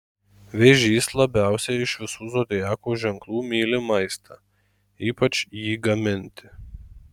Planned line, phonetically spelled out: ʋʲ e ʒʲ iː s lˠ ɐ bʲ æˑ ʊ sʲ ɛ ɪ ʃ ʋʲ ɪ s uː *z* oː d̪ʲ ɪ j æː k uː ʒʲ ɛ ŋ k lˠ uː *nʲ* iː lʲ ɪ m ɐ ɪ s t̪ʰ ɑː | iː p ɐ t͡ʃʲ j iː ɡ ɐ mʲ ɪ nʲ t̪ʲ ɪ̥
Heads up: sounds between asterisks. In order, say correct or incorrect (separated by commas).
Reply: correct, incorrect